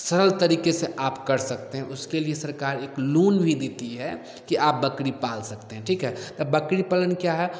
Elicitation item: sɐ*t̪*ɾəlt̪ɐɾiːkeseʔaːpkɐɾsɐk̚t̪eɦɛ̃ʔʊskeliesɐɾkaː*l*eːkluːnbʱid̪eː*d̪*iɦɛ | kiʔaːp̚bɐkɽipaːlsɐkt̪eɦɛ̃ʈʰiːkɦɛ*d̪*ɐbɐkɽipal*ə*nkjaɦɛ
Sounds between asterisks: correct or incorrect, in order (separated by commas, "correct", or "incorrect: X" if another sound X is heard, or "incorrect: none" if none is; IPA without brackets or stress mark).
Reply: incorrect: none, incorrect: ɾ, incorrect: t̪, incorrect: t̪, correct